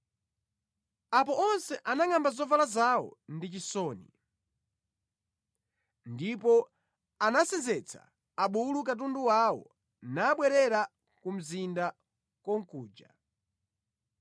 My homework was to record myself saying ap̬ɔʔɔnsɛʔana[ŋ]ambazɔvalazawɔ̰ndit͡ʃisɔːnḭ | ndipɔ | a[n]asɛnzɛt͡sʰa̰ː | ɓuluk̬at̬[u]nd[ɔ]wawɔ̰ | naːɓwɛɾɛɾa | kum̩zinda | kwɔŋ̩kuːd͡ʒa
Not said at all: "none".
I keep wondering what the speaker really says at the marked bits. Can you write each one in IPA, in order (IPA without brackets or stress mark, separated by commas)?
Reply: ŋ, n, u, u